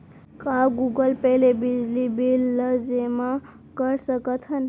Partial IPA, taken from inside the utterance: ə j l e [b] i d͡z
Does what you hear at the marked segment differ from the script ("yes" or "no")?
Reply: no